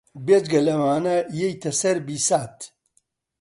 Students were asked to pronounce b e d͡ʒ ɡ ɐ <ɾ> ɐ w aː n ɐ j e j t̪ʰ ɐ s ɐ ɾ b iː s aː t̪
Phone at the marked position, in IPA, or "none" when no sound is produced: l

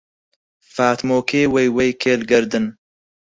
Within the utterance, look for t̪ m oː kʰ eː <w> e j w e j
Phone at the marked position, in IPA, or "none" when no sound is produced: w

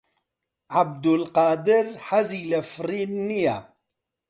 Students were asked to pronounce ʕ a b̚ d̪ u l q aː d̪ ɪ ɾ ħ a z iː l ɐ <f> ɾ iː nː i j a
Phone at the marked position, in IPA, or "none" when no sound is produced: f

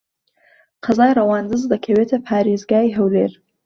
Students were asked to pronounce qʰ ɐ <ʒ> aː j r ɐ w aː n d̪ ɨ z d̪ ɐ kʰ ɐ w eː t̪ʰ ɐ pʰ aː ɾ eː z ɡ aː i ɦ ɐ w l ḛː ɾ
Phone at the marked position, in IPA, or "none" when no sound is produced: z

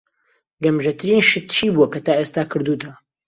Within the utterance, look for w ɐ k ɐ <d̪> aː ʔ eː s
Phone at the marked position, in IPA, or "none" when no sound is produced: t̪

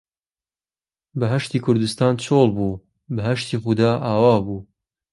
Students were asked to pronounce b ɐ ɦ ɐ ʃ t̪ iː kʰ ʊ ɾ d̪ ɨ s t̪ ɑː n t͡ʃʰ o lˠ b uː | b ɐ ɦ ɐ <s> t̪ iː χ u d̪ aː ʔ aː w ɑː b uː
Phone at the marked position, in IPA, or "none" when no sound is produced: ʃ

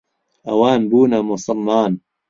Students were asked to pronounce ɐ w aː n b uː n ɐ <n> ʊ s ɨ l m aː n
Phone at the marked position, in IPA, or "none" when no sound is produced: m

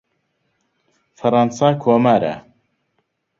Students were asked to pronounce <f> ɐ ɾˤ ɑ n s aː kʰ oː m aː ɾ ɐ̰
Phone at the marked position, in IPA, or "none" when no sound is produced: f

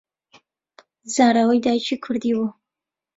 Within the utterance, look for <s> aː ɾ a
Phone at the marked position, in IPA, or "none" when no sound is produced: z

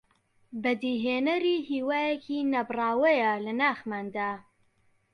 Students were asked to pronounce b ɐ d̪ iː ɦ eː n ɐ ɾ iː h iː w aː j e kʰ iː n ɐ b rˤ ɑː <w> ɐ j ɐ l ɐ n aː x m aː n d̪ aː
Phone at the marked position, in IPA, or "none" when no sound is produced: w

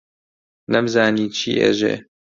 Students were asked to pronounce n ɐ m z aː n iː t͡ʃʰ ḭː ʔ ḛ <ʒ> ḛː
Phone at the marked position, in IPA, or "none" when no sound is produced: ʒ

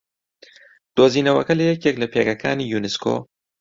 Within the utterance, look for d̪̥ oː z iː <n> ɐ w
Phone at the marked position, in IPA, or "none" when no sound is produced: n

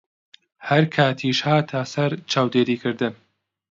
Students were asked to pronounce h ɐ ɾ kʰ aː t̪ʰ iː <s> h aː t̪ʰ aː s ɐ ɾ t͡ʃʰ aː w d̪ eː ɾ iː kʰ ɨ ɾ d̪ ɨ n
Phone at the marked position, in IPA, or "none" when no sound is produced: ʃ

